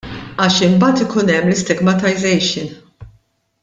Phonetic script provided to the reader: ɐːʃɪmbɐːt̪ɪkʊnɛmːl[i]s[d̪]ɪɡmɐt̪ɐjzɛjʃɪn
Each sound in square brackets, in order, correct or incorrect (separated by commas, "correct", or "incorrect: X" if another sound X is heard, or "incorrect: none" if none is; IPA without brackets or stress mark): incorrect: ɪ, incorrect: t̪